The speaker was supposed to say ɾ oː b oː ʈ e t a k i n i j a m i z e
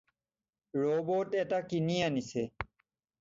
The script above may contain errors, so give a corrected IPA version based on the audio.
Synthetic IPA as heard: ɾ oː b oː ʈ e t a k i n i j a n i s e